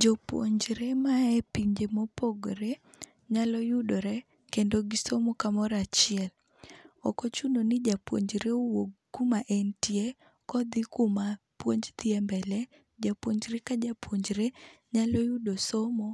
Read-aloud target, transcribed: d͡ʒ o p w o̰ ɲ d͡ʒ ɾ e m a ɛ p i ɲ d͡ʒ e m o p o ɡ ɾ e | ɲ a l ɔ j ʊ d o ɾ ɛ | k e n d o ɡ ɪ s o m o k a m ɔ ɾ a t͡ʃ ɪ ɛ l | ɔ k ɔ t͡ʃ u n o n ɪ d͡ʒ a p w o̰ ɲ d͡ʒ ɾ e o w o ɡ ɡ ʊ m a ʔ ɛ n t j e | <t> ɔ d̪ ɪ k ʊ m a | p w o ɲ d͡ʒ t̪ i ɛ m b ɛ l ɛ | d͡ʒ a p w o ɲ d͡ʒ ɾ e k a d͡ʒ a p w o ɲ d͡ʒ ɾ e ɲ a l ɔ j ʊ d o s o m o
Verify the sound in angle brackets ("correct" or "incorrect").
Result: incorrect